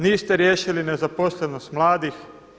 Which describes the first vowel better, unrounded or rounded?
unrounded